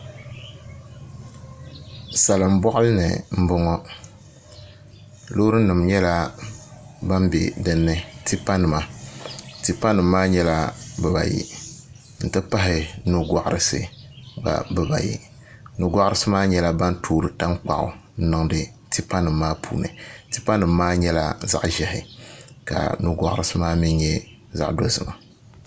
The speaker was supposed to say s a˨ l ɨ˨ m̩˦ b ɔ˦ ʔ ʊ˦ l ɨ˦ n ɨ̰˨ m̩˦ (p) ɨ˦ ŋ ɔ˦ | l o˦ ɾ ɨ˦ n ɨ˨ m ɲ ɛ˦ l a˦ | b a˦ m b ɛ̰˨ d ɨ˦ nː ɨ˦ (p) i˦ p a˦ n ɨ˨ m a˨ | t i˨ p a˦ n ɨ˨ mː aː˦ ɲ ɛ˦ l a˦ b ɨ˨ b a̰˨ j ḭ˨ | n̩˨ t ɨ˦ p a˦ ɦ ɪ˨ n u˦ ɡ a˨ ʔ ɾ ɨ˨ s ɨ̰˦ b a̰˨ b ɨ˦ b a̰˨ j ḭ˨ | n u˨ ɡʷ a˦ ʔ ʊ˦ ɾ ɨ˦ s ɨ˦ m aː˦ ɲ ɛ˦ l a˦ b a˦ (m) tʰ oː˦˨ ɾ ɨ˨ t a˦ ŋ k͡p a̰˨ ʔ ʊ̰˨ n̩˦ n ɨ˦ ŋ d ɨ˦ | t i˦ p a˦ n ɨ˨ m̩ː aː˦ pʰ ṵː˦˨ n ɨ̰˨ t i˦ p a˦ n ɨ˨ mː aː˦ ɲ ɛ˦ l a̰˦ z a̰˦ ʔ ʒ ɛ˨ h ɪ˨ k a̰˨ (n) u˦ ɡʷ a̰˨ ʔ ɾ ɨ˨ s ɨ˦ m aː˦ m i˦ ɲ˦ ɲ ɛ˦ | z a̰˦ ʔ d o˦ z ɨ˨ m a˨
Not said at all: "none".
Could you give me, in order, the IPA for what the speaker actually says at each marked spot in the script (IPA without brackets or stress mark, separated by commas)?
b, t, n, n